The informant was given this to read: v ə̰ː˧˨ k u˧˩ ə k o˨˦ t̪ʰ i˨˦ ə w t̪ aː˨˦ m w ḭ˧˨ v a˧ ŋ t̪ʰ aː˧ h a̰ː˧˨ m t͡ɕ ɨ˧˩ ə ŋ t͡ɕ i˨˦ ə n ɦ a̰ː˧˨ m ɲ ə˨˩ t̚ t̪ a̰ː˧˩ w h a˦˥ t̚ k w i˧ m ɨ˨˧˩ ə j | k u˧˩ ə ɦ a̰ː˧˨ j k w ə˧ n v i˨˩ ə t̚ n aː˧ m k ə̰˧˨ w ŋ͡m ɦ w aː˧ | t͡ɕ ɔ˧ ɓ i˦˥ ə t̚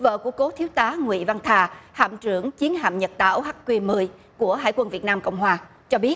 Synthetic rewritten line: v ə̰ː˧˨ k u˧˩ ə k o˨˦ t̪ʰ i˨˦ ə w t̪ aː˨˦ ŋ w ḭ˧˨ v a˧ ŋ t̪ʰ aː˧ h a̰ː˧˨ m t͡ɕ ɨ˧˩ ə ŋ t͡ɕ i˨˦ ə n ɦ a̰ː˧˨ m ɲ ə˨˩ t̚ t̪ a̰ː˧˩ w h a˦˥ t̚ k w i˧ m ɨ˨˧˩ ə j | k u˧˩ ə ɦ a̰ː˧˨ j k w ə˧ n v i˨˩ ə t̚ n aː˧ m k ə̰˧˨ w ŋ͡m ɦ w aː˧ | t͡ɕ ɔ˧ ɓ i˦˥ ə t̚